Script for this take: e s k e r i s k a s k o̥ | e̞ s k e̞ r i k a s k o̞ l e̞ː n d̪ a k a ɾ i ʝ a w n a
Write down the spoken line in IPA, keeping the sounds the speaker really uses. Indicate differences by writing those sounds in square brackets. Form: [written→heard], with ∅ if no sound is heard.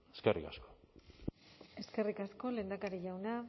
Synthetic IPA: e s k e r i [s→∅] k a s k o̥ | e̞ s k e̞ r i k a s k o̞ l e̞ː n d̪ a k a ɾ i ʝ a w n a